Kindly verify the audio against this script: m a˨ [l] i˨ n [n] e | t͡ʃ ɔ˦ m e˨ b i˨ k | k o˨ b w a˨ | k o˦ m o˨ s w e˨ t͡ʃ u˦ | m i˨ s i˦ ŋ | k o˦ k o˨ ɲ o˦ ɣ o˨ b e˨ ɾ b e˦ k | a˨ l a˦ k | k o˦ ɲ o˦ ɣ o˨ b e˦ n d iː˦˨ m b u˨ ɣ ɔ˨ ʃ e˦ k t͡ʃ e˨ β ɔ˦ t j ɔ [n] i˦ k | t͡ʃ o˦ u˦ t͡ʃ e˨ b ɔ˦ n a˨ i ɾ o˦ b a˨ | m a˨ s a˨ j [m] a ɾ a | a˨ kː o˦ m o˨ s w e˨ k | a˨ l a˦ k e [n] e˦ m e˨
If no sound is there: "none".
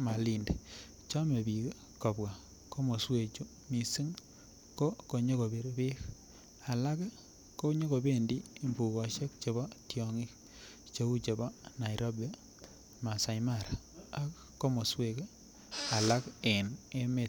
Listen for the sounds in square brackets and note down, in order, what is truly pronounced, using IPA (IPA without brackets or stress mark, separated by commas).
l, d, ŋ, m, n